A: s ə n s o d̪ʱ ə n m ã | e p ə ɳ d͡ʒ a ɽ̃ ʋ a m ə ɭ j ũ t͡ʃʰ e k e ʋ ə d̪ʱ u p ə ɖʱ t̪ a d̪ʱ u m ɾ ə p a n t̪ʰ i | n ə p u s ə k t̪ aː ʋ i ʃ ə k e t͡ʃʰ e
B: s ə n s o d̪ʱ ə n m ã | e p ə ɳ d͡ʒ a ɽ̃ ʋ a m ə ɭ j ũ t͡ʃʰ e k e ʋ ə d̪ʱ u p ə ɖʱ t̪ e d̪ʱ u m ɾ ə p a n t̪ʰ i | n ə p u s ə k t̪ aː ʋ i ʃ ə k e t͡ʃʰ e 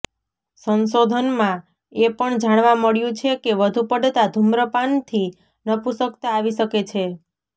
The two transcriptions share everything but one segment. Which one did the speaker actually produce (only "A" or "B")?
A